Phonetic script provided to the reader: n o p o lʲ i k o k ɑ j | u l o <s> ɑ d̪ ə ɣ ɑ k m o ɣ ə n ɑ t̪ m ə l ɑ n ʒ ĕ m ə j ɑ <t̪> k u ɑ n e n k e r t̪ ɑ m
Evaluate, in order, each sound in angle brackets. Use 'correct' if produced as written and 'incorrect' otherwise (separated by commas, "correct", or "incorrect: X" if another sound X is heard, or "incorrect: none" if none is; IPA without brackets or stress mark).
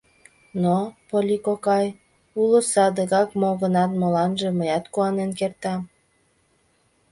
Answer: correct, correct